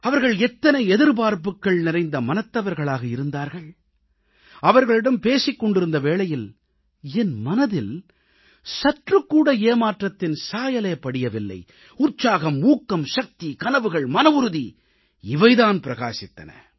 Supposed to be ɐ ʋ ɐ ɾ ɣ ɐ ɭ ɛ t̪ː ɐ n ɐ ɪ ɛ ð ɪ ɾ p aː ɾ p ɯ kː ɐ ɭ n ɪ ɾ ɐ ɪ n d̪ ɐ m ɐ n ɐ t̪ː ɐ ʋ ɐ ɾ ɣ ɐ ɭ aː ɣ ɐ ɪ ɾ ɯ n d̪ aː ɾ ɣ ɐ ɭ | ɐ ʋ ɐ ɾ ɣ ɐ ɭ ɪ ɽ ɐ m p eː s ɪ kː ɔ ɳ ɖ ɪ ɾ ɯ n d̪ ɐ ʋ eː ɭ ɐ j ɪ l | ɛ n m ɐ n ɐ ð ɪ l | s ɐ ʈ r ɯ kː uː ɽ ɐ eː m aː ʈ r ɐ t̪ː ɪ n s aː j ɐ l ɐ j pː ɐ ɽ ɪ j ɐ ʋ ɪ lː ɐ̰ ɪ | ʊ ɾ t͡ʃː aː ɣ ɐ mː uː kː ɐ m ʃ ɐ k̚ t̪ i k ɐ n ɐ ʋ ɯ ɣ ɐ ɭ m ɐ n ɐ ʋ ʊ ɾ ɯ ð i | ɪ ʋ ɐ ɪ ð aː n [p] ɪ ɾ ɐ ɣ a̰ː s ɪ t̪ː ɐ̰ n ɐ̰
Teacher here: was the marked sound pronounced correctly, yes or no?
yes